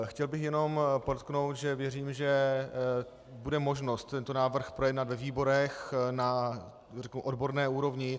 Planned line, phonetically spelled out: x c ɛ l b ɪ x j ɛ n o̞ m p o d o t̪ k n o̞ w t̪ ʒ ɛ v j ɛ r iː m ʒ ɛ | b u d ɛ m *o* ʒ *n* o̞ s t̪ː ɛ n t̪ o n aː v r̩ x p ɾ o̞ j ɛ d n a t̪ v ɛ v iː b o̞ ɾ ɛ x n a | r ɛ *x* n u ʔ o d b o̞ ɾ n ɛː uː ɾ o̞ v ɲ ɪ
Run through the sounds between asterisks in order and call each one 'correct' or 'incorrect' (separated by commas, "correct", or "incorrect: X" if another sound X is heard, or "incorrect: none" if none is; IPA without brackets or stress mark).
correct, correct, incorrect: k